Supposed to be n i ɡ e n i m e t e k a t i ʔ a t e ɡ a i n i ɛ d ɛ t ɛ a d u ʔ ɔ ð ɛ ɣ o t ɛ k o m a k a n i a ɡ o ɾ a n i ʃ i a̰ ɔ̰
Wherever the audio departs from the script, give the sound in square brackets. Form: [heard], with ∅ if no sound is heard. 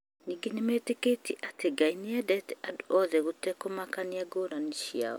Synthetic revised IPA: n i ɡ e n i m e t e k [e] t i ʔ a t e ɡ a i n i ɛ d ɛ t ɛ a d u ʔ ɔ ð ɛ ɣ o t ɛ k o m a k a n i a ɡ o ɾ a n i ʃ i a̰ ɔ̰